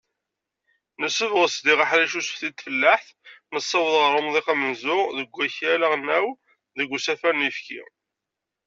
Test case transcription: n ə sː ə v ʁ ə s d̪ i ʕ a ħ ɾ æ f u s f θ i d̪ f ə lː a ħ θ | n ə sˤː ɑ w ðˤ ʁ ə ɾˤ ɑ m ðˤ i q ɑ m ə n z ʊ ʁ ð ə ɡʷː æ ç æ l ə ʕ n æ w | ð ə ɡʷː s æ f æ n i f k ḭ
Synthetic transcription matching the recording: n ə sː ə v ʁ ə s d̪ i ʁ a ħ ɾ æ ʃ u s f θ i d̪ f ə lː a ħ θ | n ə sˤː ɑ w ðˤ ʁ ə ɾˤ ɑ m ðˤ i q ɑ m ə n z ʊ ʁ ð ə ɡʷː æ ç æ l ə ʁ n æ w | ð ə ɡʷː s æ f æ n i f k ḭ

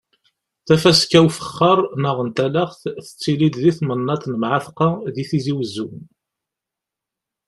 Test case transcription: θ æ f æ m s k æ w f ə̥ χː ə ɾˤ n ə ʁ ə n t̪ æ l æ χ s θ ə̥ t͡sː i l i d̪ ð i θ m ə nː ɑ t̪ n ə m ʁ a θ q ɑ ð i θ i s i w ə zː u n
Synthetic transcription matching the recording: θ æ f æ s k æ w f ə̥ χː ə ɾˤ n ə ʁ ə n t̪ æ l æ χ θ θ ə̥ t͡sː i l i d̪ ð i θ m ə nː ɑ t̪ n ə m ʕ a θ q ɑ ð i θ i z i w ə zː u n

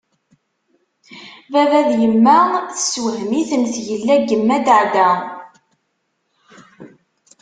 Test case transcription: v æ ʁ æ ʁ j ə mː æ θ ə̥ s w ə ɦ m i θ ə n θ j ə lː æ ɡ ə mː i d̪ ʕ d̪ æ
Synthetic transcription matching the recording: v æ v æ ð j ə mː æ θ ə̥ s w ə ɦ m i θ ə n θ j ə lː æ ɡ ə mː æ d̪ ʕ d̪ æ

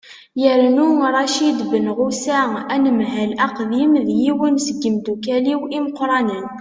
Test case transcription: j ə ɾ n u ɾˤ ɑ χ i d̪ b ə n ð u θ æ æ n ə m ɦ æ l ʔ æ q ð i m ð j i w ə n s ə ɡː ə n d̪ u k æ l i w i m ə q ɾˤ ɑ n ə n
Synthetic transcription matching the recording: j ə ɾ n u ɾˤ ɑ ʃ i d̪ b ə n ʁ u s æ æ n ə m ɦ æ l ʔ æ q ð i m ð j i w ə n s ə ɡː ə m d̪ u k æ l i w i m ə q ɾˤ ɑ n ə n

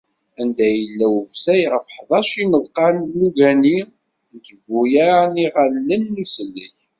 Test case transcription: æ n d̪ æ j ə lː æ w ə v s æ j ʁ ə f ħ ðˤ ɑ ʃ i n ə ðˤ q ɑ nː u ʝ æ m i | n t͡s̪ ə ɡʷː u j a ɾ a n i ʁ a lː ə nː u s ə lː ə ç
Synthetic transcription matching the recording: æ n d̪ æ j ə lː æ w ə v s æ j ʁ ə f ħ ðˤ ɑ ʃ i n ə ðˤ q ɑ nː u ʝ æ n i | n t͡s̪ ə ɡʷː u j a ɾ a n i ʁ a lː ə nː u s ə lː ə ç

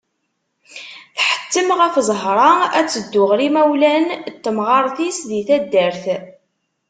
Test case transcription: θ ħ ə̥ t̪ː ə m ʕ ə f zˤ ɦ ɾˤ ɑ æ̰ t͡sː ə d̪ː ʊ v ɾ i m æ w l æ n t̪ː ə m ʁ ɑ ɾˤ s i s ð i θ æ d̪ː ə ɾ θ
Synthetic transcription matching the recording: θ ħ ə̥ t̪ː ə m ʁ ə f zˤ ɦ ɾˤ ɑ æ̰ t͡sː ə d̪ː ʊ ʁ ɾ i m æ w l æ n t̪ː ə m ʁ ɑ ɾˤ θ i s ð i θ æ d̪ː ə ɾ θ

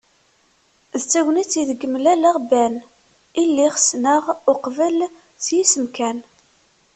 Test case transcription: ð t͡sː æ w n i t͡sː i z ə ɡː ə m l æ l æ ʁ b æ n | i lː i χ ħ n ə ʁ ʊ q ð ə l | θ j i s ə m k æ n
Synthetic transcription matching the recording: ð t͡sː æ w n i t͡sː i ð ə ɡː ə m l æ l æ ʁ b æ n | i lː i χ s n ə ʁ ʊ q v ə l | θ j i s ə m k æ n

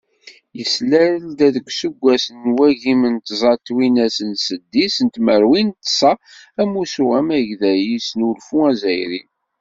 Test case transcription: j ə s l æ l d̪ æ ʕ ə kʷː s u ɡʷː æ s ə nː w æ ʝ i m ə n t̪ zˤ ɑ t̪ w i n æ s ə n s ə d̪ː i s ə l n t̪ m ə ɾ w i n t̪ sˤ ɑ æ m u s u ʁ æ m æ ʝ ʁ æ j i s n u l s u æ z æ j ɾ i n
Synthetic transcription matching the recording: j ə s l æ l d̪ æ ð ə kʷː s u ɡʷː æ s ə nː w æ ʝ i m ə n t̪ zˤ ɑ t̪ w i n æ s ə n s ə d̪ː i s ə n t̪ m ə ɾ w i n t̪ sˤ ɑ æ m u s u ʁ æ m æ ʝ ð æ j i s n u l f u æ z æ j ɾ i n

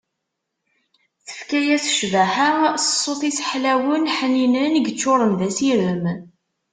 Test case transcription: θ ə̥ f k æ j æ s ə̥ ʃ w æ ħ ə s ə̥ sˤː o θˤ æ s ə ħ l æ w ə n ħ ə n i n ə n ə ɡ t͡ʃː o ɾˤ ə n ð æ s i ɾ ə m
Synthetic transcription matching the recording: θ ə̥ f k æ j æ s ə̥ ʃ v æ ħ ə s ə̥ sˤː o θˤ i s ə ħ l æ w ə n ħ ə n i n ə n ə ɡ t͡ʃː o ɾˤ ə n ð æ s i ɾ ə m

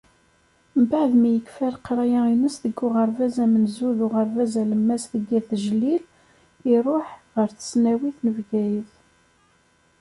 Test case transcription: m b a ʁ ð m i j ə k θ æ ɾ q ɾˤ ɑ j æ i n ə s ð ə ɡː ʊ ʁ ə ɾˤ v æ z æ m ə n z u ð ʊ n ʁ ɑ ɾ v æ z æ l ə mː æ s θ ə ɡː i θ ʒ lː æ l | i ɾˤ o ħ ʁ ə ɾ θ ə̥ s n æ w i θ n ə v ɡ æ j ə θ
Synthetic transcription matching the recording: m b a ʕ ð m i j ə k f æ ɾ q ɾˤ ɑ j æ i n ə s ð ə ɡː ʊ ʁ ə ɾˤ v æ z æ m ə n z u ð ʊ ʁ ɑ ɾ v æ z æ l ə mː æ s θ ə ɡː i θ ʒ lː i l | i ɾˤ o ħ ʁ ə ɾ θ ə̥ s n æ w i θ n ə v ɡ æ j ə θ

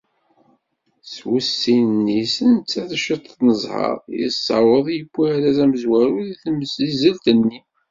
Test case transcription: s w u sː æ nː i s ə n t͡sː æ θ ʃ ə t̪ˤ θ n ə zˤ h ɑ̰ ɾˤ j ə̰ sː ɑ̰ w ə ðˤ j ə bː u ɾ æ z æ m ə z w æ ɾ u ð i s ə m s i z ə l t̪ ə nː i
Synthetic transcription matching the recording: s w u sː i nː i s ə n t͡sː æ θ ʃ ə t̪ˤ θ n ə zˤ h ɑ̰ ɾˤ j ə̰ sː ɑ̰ w ə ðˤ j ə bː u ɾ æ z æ m ə z w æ ɾ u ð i θ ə m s i z ə l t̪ ə nː i

